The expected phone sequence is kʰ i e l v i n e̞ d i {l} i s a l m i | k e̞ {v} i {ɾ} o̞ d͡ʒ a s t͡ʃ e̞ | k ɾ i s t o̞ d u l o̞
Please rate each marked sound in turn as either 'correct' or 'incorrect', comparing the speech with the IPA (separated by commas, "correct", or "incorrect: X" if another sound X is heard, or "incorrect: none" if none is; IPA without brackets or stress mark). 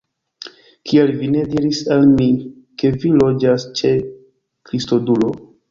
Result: incorrect: ɾ, correct, incorrect: l